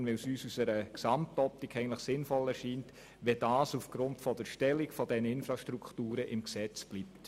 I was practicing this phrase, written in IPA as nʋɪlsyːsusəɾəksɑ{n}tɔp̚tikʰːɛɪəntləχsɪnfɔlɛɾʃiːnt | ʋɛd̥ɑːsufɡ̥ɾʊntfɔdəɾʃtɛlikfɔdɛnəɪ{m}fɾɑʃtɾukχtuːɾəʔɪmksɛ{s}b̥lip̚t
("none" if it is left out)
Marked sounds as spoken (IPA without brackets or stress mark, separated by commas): m, n, t͡s